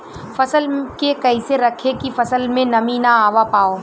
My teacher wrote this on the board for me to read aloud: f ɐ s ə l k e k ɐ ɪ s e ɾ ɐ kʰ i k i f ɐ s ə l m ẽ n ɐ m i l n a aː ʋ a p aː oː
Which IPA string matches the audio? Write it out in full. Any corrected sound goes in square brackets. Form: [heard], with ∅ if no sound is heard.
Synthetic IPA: f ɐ s ə l k e k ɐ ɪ s e ɾ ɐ kʰ [e] k i f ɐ s ə l m ẽ n ɐ m i [∅] n a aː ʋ a p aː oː